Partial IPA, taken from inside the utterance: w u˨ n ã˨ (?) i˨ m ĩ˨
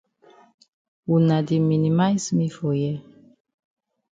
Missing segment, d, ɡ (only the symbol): d